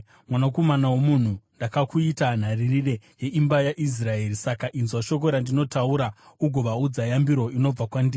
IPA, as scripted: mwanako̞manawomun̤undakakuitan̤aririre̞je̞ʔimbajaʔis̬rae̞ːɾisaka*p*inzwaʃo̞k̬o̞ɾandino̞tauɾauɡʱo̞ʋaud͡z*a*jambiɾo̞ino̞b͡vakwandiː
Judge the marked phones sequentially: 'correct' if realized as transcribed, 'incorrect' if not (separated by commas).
incorrect, correct